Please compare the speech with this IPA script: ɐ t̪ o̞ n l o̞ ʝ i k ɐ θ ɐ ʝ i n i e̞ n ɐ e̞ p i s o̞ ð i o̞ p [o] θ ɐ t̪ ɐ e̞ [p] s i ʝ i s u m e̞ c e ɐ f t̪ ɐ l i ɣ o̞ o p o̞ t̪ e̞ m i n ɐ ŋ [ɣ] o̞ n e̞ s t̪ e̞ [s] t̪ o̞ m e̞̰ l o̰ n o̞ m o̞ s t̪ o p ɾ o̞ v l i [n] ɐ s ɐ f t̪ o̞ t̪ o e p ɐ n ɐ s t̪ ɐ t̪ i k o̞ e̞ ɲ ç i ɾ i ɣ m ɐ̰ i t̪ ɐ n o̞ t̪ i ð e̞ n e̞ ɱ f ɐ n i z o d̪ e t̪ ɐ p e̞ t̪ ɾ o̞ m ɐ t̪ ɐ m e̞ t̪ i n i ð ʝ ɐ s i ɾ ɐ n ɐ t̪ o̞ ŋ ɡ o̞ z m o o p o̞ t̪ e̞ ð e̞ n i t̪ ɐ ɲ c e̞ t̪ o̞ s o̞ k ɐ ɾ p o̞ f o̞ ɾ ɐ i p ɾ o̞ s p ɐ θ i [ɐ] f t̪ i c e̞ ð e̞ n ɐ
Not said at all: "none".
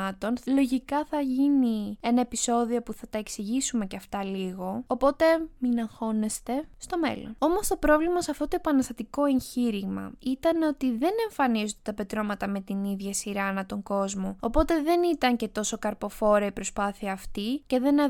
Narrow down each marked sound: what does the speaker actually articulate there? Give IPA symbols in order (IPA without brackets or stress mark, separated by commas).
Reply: u, k, x, s, m, ɐː